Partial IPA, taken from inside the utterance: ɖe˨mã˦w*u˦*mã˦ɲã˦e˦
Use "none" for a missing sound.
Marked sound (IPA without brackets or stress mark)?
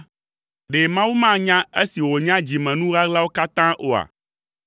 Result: u˦